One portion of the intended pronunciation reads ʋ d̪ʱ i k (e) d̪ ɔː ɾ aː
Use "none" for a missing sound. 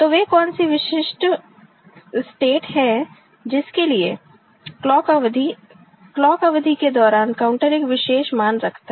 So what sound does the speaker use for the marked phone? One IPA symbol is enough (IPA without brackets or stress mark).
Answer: e